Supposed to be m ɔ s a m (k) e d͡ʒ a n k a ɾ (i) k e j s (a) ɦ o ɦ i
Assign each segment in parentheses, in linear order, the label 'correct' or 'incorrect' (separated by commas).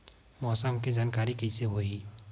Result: correct, correct, incorrect